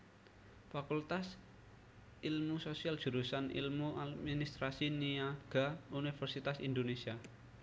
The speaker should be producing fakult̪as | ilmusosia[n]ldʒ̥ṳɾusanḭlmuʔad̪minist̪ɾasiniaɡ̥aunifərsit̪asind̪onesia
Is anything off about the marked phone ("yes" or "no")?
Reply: yes